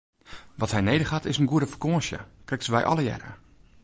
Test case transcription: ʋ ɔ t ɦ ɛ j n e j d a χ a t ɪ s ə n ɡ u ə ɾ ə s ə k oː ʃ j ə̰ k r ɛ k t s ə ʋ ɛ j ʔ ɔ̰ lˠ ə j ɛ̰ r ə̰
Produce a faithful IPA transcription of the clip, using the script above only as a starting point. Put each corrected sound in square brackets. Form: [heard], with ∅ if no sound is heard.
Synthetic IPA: ʋ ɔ t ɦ ɛ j n e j d [ə] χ a t ɪ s ə n ɡ u ə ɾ ə [f] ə k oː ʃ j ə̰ k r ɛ k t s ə ʋ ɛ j ʔ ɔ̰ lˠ ə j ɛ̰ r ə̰